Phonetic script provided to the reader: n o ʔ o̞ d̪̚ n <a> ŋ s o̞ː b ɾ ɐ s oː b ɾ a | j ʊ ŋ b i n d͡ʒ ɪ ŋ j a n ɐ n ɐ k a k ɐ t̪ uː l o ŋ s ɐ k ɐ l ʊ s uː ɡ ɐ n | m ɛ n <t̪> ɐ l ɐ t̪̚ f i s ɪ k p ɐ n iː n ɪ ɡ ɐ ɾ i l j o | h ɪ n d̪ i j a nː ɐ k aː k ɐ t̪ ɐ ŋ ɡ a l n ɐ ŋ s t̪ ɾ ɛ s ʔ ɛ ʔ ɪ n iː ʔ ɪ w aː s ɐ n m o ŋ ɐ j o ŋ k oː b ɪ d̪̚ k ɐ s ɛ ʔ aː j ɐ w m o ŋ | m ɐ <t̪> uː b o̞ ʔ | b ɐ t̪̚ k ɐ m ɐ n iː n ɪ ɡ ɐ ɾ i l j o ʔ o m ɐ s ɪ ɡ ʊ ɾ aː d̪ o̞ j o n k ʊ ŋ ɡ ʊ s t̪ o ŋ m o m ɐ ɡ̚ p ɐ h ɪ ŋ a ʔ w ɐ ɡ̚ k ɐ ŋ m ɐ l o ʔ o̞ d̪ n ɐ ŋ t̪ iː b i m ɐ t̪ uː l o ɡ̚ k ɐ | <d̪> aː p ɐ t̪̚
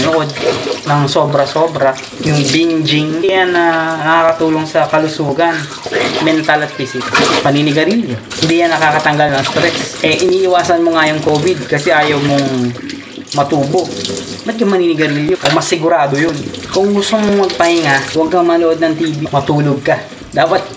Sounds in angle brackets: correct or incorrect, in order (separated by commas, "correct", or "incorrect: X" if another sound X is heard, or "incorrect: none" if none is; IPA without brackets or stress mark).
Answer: incorrect: ɐ, correct, correct, correct